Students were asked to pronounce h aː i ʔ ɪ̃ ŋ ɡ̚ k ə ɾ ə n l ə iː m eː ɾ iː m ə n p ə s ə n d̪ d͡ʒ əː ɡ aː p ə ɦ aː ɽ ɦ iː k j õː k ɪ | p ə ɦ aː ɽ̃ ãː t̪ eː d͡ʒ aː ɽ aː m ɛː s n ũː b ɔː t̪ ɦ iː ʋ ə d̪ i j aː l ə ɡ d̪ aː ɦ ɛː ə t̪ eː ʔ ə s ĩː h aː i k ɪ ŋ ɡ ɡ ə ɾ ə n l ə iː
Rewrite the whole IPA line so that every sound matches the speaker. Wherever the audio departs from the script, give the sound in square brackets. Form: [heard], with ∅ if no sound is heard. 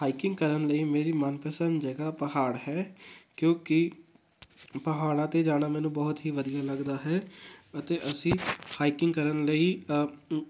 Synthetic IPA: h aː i [k] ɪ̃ ŋ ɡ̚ k ə ɾ ə n l ə iː m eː ɾ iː m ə n p ə s ə n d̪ d͡ʒ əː ɡ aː p ə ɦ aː ɽ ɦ [ɛː] k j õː k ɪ | p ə ɦ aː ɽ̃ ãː t̪ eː d͡ʒ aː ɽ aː m ɛː [∅] n ũː b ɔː t̪ ɦ iː ʋ ə d̪ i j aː l ə ɡ d̪ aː ɦ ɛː ə t̪ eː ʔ ə s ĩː h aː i k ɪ ŋ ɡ [k] ə ɾ ə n l ə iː